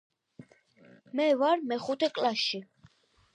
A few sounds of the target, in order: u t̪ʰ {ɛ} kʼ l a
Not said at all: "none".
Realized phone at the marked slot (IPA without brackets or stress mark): ɛ